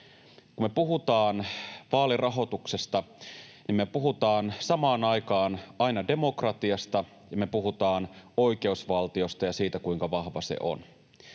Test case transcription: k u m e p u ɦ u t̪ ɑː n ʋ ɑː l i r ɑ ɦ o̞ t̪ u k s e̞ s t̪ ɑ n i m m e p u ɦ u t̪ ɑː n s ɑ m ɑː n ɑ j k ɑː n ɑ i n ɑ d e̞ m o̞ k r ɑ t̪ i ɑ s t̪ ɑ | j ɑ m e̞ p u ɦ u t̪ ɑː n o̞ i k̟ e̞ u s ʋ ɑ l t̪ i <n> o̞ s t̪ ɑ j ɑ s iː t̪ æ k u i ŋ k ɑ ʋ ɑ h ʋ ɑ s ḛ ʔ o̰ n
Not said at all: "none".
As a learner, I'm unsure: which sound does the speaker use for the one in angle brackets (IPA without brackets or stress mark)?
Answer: none